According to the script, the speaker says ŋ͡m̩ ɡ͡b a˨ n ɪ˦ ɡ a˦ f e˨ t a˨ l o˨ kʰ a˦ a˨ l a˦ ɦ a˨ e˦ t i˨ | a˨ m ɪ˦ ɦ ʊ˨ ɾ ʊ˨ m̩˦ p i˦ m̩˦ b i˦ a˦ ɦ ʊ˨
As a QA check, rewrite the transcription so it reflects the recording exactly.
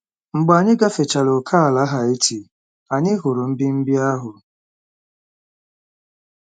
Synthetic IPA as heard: ŋ͡m̩ ɡ͡b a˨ ɲ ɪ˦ ɡ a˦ f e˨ t͡ʃ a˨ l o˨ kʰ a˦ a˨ l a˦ ɦ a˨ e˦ t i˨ | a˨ ɲ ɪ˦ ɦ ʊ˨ ɾ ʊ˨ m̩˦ b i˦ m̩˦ b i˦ a˦ ɦ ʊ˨